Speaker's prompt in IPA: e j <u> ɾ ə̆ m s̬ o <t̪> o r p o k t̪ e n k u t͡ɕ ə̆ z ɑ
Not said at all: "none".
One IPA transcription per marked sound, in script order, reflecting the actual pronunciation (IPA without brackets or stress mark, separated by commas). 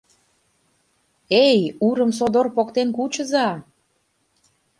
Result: u, d̪